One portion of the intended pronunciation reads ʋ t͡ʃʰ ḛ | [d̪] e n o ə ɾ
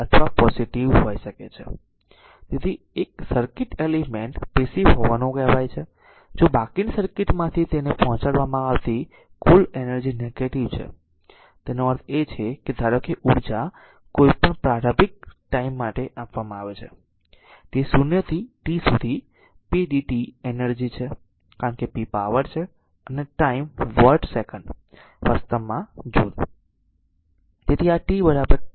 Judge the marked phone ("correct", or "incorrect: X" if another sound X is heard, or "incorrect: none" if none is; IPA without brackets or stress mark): incorrect: t̪